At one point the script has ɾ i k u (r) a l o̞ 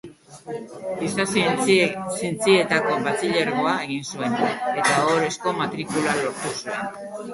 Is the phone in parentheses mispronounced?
yes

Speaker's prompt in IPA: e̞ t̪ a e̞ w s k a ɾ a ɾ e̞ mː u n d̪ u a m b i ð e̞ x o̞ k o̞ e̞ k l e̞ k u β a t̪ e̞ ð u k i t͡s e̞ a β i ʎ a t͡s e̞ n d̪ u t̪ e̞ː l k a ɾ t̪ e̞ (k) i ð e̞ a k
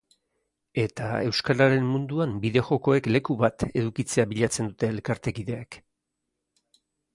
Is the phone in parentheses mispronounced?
no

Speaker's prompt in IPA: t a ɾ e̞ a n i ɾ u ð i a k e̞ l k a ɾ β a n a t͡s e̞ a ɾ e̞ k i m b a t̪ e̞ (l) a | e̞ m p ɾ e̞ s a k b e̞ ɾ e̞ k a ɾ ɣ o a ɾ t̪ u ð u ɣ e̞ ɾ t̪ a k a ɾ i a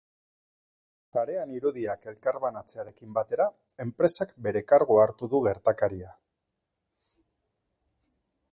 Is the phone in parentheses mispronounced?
yes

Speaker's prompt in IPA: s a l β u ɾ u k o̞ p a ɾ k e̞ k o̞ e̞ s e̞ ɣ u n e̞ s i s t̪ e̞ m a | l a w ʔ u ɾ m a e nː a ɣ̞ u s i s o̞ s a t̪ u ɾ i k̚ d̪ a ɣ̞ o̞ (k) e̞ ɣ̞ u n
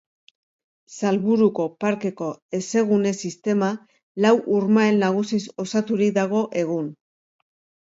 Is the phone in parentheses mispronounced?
yes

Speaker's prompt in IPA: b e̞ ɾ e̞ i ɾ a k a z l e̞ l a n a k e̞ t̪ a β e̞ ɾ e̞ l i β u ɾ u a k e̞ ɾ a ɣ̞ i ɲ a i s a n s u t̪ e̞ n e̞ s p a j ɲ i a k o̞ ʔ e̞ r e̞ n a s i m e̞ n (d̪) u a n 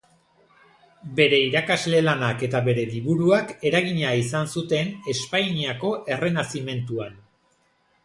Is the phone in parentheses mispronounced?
yes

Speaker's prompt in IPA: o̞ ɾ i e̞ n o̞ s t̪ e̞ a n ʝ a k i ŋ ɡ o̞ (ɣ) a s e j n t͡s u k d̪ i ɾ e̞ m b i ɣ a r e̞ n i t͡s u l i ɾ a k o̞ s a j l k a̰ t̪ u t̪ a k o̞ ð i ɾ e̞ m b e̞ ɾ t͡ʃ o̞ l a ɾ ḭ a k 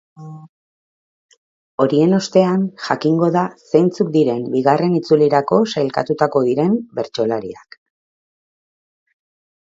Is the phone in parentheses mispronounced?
yes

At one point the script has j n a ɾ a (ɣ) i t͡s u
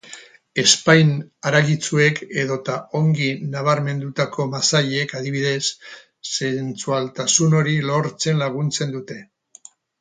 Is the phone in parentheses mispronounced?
no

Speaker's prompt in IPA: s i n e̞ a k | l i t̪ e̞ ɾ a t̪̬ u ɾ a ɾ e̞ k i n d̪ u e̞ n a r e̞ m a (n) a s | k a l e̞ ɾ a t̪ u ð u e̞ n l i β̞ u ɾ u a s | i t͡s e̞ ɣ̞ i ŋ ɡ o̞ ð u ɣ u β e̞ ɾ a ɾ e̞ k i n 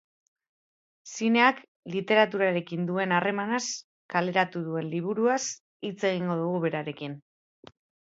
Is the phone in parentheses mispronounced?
no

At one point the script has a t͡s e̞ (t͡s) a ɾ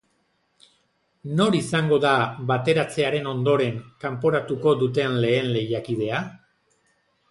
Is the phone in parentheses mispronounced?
yes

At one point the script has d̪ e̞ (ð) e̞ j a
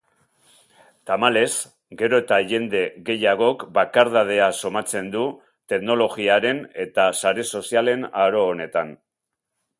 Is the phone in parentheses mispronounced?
yes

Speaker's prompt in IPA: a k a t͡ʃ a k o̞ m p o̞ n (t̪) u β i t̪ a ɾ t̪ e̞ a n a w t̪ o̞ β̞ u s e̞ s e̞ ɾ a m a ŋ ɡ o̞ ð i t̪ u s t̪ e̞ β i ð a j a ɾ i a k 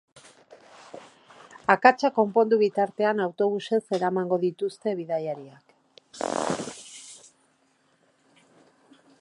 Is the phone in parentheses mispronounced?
yes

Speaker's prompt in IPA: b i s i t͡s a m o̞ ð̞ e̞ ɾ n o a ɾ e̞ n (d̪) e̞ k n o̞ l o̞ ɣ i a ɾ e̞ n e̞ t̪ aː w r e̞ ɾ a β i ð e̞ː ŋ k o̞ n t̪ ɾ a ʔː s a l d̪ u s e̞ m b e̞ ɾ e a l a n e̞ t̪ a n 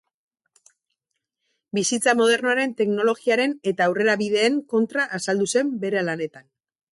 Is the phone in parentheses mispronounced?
yes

